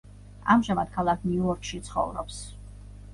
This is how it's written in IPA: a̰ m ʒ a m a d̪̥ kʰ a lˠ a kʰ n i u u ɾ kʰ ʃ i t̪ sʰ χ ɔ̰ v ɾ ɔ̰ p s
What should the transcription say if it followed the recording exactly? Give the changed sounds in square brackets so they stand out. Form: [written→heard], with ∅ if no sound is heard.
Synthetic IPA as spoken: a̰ m ʒ a m a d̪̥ kʰ a lˠ a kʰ n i u [u→ɔ] ɾ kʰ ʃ i t̪ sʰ χ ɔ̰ v ɾ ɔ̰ p s